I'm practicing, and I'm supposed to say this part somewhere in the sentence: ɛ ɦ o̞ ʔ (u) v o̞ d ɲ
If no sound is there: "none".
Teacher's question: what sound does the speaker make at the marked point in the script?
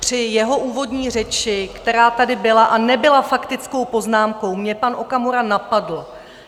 uː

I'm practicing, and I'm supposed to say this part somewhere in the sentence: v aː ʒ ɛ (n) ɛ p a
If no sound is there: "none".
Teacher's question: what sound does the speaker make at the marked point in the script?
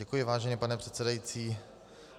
ɲ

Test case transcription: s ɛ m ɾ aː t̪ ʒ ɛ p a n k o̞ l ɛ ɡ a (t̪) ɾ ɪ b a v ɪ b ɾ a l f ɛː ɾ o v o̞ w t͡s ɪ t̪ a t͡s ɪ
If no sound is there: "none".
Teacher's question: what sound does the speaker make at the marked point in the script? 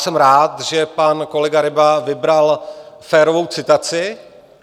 none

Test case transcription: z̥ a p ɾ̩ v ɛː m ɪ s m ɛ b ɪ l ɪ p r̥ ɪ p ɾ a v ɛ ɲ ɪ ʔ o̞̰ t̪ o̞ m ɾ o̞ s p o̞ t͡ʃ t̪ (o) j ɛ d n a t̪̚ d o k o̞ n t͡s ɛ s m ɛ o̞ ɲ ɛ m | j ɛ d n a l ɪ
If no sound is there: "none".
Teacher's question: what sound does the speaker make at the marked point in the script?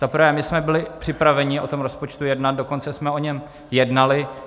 u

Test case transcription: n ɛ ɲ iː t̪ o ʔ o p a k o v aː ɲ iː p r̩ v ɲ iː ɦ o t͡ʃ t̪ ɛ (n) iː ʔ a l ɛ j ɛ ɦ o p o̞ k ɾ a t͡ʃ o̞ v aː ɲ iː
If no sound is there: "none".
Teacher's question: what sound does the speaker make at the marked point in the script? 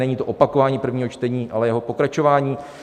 ɲ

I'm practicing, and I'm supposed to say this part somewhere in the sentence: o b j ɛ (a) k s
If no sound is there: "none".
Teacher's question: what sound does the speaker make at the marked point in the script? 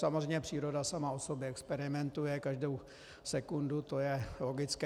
ɛ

